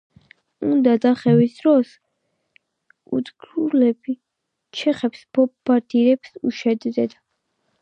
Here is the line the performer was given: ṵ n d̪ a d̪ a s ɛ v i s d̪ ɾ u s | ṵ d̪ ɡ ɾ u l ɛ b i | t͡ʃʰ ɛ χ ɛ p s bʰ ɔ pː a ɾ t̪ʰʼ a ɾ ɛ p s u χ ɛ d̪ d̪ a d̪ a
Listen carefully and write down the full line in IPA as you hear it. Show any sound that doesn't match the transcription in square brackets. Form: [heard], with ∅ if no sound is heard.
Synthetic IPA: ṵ n d̪ a d̪ a [χ] ɛ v i s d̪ ɾ [ɔ] s | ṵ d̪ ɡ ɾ u l ɛ b i | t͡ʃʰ ɛ χ ɛ p s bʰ ɔ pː a ɾ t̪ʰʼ [i] ɾ ɛ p s u [ʃ] ɛ d̪ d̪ [ɛ] d̪ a